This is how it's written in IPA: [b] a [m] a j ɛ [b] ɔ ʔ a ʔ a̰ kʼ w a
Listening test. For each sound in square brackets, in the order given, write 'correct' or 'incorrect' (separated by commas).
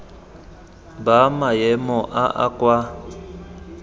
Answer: correct, correct, incorrect